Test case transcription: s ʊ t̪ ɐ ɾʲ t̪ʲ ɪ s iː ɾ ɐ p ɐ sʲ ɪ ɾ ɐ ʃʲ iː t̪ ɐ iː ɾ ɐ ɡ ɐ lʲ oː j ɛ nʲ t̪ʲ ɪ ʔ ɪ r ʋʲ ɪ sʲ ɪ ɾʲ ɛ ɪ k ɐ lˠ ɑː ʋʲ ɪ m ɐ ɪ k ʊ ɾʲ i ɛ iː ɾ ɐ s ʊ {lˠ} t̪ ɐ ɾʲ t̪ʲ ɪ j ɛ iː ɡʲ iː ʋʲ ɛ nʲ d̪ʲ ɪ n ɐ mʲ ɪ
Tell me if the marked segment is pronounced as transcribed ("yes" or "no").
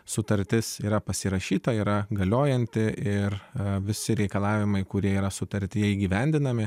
no